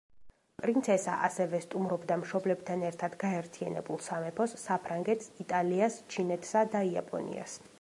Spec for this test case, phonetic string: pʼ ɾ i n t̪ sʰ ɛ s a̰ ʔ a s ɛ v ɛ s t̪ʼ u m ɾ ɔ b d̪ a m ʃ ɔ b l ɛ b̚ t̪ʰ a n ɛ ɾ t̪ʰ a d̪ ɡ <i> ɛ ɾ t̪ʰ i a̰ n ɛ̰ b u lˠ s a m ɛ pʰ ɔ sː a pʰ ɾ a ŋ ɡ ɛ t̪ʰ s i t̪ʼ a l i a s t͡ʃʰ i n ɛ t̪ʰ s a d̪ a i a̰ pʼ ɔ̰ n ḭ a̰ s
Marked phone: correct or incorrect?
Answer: incorrect